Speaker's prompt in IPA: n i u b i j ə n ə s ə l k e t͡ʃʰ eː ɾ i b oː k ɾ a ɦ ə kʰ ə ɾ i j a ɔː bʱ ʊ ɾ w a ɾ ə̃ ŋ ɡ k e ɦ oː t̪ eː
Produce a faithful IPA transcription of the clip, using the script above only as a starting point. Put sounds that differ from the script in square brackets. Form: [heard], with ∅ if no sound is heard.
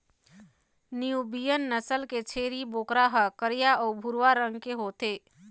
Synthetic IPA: n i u b i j ə [nː] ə s ə l k e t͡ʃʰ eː ɾ i b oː k ɾ a ɦ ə [k] ə ɾ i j a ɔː bʱ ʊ ɾ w a ɾ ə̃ ŋ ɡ k e ɦ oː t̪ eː